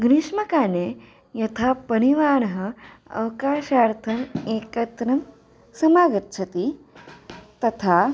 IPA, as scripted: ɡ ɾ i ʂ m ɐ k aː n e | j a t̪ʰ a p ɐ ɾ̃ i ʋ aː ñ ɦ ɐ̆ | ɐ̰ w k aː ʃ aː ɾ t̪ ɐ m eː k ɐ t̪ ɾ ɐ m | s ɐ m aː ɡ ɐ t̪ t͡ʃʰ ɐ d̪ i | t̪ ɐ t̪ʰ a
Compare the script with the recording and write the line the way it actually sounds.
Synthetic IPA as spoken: ɡ ɾ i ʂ m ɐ k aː n e | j ɐ t̪ʰ a p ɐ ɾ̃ i ʋ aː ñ ɦ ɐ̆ | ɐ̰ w k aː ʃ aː ɾ t̪ʰ ɐ m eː k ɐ t̪ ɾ ɐ m | s ɐ m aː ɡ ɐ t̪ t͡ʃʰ ɐ t̪ i | t̪ ɐ t̪ʰ a

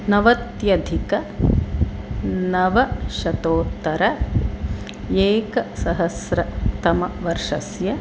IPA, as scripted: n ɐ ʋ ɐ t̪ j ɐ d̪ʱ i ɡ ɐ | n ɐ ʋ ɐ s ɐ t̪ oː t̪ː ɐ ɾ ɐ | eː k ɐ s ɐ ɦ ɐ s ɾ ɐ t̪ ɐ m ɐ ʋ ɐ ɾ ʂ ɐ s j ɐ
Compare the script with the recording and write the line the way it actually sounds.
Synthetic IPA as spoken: n ɐ ʋ ɐ t̪ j ɐ d̪ʱ i k ɐ | n ɐ ʋ ɐ ʃ ɐ t̪ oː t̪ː ɐ ɾ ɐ | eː k ɐ s ɐ ɦ ɐ s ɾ ɐ t̪ ɐ m ɐ ʋ ɐ ɾ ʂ ɐ s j ɐ

